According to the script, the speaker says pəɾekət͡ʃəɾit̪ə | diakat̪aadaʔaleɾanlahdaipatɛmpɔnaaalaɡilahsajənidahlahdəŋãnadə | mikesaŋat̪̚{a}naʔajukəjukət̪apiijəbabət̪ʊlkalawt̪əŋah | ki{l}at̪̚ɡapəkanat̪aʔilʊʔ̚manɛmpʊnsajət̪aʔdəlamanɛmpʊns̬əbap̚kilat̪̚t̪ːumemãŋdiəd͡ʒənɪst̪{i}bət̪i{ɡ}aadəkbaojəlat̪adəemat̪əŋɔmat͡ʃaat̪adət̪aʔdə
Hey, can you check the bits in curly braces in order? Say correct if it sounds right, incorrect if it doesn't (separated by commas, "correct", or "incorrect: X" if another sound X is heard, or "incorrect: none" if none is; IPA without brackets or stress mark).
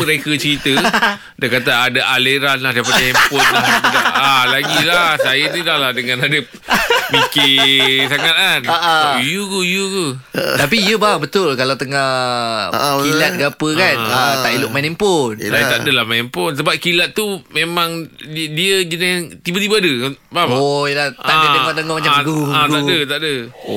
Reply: correct, correct, correct, incorrect: b